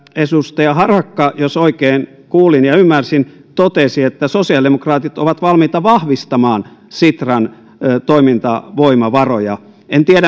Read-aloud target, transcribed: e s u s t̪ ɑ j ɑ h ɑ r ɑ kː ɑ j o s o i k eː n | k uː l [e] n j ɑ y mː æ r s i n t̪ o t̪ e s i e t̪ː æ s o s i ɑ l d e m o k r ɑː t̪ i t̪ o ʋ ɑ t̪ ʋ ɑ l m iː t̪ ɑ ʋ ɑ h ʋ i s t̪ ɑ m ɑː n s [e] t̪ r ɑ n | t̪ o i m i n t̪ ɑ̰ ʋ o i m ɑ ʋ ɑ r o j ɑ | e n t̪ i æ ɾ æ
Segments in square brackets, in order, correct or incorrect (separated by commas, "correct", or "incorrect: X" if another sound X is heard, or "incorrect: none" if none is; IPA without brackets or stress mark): incorrect: i, incorrect: i